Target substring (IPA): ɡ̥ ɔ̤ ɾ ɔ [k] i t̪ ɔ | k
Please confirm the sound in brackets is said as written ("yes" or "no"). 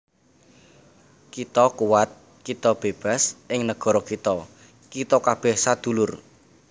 yes